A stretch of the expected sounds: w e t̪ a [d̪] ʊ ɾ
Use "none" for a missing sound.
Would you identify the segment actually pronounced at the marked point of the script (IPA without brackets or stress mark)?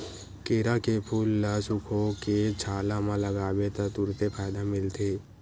t̪